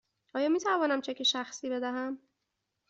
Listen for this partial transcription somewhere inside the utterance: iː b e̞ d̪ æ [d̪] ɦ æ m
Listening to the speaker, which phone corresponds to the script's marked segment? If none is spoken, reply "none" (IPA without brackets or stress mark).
none